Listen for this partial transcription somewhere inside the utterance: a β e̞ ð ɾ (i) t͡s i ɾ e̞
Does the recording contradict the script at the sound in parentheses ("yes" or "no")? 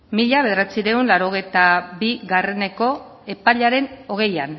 yes